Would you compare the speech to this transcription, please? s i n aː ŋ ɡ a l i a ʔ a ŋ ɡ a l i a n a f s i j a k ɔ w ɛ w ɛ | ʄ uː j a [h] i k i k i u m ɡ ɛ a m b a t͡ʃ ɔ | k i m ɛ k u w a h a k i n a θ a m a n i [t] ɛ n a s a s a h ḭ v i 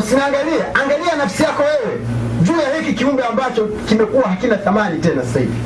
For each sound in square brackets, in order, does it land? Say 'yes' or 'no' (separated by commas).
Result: yes, yes